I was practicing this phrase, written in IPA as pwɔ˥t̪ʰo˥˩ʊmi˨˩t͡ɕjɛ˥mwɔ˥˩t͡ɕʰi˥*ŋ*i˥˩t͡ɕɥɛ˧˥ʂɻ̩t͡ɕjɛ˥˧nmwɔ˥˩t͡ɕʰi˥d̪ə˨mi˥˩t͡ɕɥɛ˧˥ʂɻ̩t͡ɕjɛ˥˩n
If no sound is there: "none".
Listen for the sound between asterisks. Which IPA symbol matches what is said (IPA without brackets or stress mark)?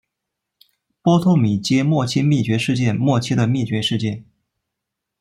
m